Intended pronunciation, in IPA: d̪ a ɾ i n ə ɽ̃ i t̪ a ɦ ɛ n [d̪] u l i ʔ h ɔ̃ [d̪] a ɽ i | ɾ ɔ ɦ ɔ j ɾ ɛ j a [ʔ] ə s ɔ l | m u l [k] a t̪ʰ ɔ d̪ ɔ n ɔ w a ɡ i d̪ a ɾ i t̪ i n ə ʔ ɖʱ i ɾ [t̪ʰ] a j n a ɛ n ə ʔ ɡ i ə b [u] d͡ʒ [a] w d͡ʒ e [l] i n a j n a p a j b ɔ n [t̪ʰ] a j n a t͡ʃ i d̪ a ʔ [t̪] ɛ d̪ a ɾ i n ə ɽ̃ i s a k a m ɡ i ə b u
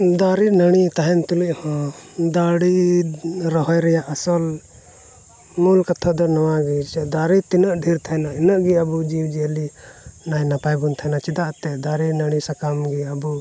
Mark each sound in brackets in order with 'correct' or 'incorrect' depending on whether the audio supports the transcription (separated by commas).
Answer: incorrect, correct, correct, correct, correct, correct, incorrect, correct, correct, correct